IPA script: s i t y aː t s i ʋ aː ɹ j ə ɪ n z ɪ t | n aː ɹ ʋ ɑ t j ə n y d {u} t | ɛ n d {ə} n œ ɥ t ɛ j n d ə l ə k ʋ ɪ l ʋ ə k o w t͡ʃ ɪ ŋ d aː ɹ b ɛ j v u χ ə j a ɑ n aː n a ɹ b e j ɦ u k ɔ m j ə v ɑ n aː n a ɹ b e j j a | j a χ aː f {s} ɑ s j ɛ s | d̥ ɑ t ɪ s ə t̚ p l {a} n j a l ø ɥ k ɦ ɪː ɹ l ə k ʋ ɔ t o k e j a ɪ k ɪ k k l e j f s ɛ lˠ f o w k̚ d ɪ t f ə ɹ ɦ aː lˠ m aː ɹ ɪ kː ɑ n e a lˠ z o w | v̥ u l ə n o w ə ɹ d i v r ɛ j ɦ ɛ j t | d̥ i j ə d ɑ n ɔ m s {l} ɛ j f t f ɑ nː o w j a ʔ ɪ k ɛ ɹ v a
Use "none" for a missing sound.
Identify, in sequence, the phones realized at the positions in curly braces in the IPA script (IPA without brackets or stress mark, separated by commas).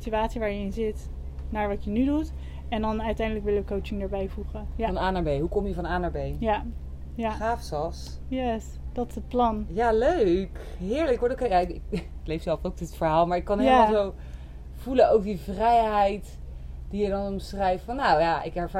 u, ɑ, s, ɑ, r